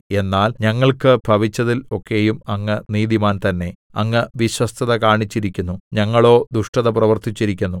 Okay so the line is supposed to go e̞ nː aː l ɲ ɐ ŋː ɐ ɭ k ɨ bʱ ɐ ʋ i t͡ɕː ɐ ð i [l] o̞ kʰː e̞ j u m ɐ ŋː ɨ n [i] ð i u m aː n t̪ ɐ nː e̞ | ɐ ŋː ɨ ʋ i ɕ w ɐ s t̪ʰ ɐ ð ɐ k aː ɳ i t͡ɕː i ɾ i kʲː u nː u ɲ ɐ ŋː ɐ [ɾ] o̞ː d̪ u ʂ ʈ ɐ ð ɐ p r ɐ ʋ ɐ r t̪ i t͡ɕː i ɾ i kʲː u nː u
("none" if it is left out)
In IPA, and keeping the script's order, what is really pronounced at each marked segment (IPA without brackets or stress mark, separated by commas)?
l, iː, ɭ